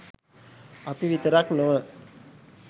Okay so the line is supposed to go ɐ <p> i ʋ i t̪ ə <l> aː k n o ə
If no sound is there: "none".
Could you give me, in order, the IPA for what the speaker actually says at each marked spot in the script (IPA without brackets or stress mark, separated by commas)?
p, ɾ